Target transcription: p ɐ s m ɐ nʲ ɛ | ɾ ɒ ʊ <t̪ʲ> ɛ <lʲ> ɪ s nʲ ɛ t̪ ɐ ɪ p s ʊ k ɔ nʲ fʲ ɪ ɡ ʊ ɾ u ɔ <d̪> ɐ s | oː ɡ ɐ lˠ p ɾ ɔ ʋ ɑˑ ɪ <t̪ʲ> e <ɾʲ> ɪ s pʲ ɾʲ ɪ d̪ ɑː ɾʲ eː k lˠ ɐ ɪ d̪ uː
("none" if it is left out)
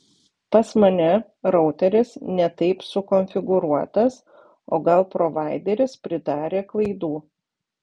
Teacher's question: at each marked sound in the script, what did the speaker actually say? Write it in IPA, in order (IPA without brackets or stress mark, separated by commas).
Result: t̪ʲ, ɾʲ, t̪, d̪ʲ, ɾʲ